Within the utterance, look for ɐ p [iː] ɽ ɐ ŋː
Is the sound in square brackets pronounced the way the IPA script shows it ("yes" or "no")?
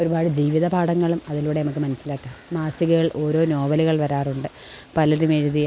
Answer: no